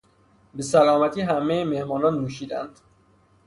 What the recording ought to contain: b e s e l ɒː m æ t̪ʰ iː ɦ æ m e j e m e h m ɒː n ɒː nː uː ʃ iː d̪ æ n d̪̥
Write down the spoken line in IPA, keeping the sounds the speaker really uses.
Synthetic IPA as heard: b e s æ l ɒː m æ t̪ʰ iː ɦ æ m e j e m e h m ɒː n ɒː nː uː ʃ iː d̪ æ n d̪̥